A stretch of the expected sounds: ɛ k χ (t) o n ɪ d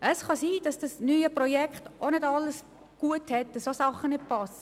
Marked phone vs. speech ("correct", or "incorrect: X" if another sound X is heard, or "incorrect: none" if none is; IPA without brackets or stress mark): correct